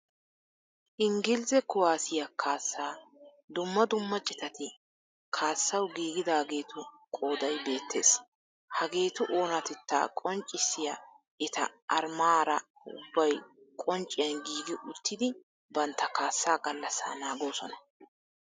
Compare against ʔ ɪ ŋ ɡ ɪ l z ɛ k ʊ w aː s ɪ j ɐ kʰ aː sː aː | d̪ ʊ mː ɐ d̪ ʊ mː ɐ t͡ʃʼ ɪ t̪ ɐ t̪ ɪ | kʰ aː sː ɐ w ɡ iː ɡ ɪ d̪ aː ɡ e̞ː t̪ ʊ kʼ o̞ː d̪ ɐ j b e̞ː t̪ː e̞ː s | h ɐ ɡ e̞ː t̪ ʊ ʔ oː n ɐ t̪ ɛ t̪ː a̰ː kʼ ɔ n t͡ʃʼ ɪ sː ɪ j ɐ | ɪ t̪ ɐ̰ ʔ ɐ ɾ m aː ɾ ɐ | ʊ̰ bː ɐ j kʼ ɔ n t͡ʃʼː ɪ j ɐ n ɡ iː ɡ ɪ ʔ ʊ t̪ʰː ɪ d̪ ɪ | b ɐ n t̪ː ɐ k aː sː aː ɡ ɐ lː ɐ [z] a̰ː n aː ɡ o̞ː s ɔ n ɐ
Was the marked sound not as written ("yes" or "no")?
yes